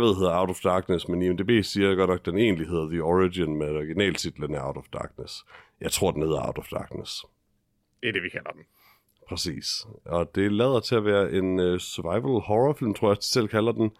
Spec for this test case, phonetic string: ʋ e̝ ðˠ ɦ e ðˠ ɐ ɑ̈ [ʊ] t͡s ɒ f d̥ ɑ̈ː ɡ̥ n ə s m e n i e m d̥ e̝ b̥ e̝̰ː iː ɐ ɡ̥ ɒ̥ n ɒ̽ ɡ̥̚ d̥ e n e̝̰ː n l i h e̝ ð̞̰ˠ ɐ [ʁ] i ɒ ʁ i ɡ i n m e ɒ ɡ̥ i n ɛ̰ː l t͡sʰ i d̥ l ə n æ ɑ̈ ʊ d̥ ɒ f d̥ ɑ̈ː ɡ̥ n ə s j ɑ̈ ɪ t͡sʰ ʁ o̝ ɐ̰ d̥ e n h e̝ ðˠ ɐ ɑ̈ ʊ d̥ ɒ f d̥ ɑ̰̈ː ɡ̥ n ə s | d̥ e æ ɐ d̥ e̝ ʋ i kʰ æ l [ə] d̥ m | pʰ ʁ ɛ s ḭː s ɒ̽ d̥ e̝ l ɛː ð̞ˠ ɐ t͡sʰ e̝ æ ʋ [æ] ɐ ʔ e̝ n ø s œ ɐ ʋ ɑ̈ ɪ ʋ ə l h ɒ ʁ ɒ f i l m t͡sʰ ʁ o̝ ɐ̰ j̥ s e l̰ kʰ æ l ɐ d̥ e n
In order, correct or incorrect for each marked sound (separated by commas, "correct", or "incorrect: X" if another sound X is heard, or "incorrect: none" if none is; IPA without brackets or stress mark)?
correct, incorrect: ð, incorrect: ɐ, incorrect: æː